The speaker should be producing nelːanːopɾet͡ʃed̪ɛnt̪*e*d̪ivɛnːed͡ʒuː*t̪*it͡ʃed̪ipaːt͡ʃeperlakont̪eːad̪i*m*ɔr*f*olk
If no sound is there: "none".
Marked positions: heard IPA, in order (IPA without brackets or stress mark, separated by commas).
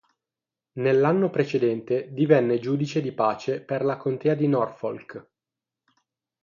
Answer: e, d̪, n, f